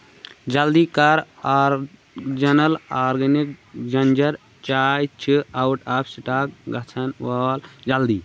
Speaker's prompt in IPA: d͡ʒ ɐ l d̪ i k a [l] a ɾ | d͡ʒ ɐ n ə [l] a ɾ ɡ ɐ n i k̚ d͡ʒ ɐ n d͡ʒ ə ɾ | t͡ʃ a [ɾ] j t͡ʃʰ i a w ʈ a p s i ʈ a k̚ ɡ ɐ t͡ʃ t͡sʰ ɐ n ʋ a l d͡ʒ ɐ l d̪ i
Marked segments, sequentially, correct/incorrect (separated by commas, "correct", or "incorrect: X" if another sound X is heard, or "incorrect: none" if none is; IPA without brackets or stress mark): incorrect: ɾ, correct, incorrect: none